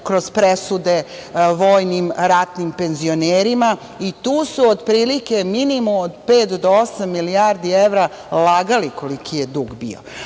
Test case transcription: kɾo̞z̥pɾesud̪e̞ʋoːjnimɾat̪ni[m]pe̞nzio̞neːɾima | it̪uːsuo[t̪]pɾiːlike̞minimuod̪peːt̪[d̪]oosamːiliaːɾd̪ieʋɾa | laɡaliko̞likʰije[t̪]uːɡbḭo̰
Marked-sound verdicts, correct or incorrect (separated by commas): correct, incorrect, correct, incorrect